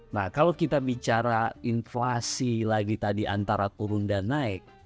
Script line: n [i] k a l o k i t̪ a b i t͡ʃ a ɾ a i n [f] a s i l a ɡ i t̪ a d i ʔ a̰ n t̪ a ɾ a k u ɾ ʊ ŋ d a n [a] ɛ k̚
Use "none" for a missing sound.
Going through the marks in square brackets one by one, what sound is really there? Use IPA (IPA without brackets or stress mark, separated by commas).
a, f, a